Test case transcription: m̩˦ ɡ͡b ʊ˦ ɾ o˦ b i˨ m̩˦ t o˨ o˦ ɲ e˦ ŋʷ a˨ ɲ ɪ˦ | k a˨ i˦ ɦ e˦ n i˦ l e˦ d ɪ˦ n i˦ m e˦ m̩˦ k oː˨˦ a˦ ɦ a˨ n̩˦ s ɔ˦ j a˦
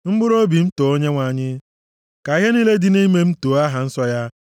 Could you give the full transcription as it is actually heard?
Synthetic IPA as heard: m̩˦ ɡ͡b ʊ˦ ɾ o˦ b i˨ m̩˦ t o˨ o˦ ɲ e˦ ŋʷ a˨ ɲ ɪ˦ | k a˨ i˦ ɦ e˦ n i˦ l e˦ d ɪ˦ n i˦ m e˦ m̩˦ t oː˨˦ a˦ ɦ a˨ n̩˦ s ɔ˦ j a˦